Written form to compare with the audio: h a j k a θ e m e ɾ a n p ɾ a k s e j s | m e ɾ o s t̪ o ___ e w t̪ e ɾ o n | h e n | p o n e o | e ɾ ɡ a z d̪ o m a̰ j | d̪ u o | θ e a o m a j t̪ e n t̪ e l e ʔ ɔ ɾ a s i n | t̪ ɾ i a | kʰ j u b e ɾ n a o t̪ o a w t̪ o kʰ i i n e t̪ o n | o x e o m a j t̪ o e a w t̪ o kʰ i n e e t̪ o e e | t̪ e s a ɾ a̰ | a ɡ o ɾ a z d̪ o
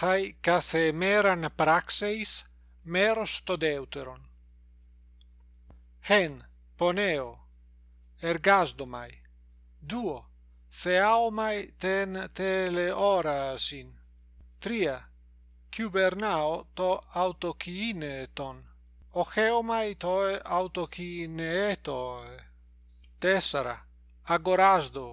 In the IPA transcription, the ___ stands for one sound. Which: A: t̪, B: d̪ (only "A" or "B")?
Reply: B